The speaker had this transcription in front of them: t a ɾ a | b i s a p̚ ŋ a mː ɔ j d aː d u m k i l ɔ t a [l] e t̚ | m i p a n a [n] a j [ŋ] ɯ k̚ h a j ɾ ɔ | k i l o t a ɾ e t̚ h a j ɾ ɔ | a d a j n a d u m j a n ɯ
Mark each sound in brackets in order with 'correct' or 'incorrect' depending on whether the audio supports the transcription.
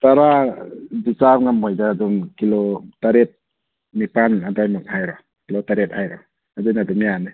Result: incorrect, incorrect, incorrect

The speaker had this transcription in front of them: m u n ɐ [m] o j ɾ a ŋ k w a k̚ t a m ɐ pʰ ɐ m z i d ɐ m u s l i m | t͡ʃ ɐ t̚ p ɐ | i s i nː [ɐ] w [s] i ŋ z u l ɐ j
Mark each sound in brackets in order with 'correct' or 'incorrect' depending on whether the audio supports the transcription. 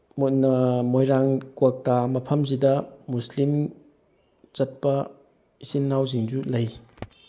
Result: correct, incorrect, incorrect

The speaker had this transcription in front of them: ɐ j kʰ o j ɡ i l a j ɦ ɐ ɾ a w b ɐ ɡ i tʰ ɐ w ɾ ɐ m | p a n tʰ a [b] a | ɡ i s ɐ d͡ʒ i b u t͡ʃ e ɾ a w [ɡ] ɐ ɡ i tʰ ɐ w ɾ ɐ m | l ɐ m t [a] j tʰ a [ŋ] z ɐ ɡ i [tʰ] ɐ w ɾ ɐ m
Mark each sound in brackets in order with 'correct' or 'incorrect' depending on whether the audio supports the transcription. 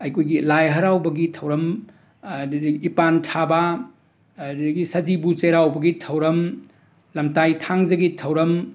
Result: correct, incorrect, correct, correct, correct

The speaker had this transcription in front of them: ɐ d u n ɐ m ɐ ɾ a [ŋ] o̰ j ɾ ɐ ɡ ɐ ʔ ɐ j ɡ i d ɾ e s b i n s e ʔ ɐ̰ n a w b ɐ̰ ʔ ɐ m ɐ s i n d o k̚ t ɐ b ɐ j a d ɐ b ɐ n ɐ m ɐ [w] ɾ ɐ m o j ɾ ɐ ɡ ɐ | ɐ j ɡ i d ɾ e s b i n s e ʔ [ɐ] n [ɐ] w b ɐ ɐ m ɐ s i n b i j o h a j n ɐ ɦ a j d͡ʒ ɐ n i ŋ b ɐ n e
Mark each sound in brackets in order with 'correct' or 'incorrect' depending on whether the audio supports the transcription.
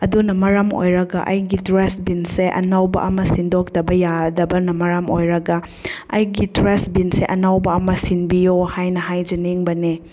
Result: incorrect, incorrect, correct, incorrect

